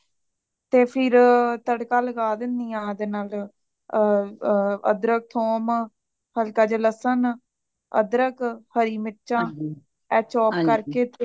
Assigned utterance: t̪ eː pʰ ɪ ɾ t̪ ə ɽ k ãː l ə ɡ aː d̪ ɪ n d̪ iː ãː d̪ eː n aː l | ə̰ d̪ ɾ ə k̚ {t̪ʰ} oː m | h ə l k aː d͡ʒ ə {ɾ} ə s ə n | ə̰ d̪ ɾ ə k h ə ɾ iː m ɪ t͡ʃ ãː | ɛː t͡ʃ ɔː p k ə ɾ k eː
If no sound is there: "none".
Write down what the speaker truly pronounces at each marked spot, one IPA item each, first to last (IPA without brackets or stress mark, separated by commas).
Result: t̪ʰ, l